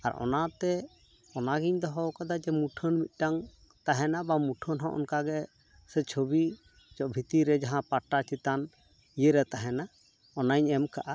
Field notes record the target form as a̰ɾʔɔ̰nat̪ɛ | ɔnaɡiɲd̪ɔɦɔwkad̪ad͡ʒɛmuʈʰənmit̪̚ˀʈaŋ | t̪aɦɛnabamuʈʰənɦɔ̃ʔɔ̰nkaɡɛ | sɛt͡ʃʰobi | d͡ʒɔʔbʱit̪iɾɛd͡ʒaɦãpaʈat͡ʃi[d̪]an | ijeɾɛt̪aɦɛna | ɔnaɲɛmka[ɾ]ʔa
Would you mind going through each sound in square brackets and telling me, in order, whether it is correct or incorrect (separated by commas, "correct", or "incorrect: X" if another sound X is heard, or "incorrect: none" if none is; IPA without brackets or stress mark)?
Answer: incorrect: t̪, incorrect: none